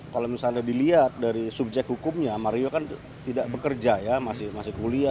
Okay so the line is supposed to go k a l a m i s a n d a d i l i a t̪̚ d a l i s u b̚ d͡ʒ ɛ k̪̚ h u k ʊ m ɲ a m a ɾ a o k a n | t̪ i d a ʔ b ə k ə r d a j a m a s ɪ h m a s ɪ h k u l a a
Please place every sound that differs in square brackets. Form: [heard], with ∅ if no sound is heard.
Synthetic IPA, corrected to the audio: k a l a m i s a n d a d i l i a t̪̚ d a [ɾ] i s u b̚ d͡ʒ ɛ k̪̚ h u k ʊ m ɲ a m a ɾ [i] o k a n | t̪ i d a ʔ b ə k ə r [d͡ʒ] a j a m a s ɪ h m a s ɪ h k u l [i] a

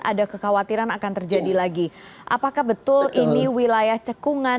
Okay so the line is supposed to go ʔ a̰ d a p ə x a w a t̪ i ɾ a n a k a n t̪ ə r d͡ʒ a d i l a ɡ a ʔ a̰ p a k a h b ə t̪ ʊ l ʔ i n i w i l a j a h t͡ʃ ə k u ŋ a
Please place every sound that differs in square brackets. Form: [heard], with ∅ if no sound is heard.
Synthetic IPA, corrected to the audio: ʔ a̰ d a [k] ə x a w a t̪ i ɾ a n a k a n t̪ ə r d͡ʒ a d i l a ɡ [i] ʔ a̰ p a k a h b ə t̪ ʊ l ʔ i n i w i l a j a h t͡ʃ ə k u ŋ a

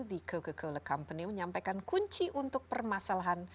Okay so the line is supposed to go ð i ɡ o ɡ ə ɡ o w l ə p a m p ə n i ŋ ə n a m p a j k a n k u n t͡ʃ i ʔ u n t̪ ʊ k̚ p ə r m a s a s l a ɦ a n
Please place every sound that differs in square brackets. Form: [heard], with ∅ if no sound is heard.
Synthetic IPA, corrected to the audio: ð i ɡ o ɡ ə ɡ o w l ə [k] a m p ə n i [m] ə [ɲ] a m p a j k a n k u [ɲ] t͡ʃ i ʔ u n t̪ ʊ k̚ p ə r m a s a [∅] l a ɦ a n

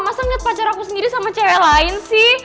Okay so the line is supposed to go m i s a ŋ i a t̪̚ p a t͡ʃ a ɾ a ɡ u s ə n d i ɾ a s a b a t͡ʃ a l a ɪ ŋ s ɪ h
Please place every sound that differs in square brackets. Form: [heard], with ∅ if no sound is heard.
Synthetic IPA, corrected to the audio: m [a] s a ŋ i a t̪̚ p a t͡ʃ a ɾ a [k] u s ə n d i ɾ [i] s a [m] a t͡ʃ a l a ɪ [n] s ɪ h

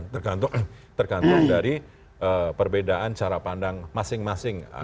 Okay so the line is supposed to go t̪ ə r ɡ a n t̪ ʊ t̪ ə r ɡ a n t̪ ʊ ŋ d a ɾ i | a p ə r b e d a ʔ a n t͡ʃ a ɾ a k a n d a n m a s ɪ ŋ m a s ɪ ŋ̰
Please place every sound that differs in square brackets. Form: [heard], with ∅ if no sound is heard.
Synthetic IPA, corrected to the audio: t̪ ə r ɡ a n t̪ ʊ t̪ ə r ɡ a n t̪ ʊ ŋ d a ɾ i | [ə] p ə r b e d a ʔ a n t͡ʃ a ɾ a [p] a n d a [ŋ] m a s ɪ ŋ m a s ɪ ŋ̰

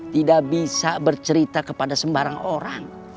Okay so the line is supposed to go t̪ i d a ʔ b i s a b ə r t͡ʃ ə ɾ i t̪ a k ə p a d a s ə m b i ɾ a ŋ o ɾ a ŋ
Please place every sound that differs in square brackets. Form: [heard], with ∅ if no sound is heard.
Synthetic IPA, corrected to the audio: t̪ i d a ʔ b i s a b ə r t͡ʃ ə ɾ i t̪ a k ə p a d a s ə m b [a] ɾ a ŋ o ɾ a ŋ

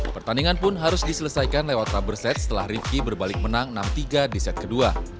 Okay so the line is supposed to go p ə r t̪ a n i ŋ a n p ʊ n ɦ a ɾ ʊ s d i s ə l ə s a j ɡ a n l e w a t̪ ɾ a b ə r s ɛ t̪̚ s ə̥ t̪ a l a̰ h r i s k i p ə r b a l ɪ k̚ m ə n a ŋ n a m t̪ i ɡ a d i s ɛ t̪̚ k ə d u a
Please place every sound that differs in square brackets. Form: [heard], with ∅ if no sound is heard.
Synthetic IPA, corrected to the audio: p ə r t̪ a n i ŋ a n p ʊ n ɦ a ɾ ʊ s d i s ə l ə s a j [k] a n l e w a t̪ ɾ a b ə r s ɛ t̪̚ s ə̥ t̪ [ə] l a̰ h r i [f] k i [b] ə r b a l ɪ k̚ m ə n a ŋ n a m t̪ i ɡ a d i s ɛ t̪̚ k ə d u a

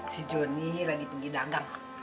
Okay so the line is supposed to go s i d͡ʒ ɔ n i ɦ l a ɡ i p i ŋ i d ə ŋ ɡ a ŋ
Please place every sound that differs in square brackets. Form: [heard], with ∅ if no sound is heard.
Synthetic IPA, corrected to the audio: s i d͡ʒ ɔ n i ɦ l a ɡ i p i [ɡ] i d [a] ŋ ɡ a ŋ

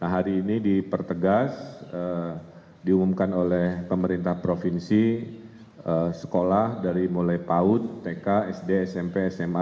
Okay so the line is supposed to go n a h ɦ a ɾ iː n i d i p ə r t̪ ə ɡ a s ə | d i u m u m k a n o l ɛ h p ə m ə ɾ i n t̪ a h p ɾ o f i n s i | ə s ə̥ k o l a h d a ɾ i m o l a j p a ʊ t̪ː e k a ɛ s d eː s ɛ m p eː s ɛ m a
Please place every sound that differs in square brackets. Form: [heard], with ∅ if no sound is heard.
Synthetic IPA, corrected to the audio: n a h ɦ a ɾ iː n i d i p ə r t̪ ə ɡ a s ə | d i u m u m k a n o l ɛ h p ə m ə ɾ i n t̪ a h p ɾ o f i n s i | ə s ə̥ k o l a h d a ɾ i m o l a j p a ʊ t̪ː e k a ɛ s d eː s ɛ m p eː s ɛ m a

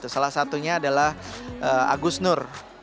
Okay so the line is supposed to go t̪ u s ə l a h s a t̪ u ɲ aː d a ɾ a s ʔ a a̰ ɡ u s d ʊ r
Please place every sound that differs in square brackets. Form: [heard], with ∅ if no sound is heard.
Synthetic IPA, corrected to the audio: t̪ u s [a] l a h s a t̪ u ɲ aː d a [l] a [h] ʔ [ə] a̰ ɡ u s [n] ʊ r

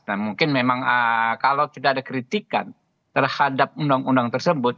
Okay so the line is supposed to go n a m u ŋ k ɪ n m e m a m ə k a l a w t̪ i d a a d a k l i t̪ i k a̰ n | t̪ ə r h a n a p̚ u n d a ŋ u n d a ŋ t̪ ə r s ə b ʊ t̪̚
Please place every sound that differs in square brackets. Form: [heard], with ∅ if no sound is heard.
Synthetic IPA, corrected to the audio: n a m u ŋ k ɪ n m e m a [ŋ] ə k a l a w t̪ i d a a d a k [ɾ] i t̪ i k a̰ n | t̪ ə r h a [d] a p̚ u n d a ŋ u n d a ŋ t̪ ə r s ə b ʊ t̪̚

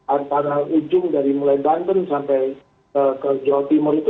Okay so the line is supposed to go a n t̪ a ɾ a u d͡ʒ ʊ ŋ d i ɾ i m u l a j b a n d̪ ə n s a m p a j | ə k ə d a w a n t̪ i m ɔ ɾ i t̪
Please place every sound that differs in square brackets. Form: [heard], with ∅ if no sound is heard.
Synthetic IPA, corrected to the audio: a n t̪ a ɾ a u d͡ʒ ʊ ŋ d [a] ɾ i m u l a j b a n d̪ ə n s a m p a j | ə k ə [d͡ʒ] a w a [∅] t̪ i m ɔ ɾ i t̪

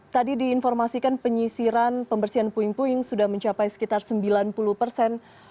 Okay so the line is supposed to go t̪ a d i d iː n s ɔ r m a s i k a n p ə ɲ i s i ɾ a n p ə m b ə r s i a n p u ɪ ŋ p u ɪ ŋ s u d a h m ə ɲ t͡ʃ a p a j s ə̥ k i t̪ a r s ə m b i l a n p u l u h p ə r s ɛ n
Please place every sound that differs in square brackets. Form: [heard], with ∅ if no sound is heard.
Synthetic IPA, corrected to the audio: t̪ a d i d iː n [f] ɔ r m a s i k a n p ə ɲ i s i ɾ a n p ə m b ə r s i a n p u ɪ ŋ p u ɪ ŋ s u d a h m ə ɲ t͡ʃ a p a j s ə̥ k i t̪ a r s ə m b i l a n p u l u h p ə r s ɛ n

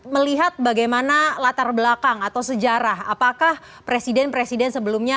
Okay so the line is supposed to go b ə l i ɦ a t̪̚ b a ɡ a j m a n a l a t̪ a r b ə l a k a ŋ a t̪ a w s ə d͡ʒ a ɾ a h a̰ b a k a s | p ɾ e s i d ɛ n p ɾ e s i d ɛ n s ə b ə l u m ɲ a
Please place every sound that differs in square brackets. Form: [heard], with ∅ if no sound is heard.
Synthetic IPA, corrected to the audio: [m] ə l i ɦ a t̪̚ b a ɡ a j m a n a l a t̪ a r b ə l a k a ŋ a t̪ a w s ə d͡ʒ a ɾ a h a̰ [p] a k a [h] | p ɾ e s i d ɛ n p ɾ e s i d ɛ n s ə b ə l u m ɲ a

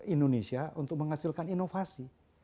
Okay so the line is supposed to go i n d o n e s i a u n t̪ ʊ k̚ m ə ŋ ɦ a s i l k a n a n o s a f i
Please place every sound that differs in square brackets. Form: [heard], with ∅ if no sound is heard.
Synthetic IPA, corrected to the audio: i n d o n e s i a u n t̪ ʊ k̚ m ə ŋ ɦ a s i l k a n [i] n o [f] a [s] i

